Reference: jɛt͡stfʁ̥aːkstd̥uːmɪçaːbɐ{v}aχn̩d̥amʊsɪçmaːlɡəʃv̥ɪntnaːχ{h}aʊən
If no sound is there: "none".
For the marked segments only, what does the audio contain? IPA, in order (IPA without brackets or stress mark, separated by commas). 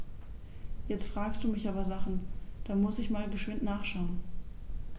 z, ʃ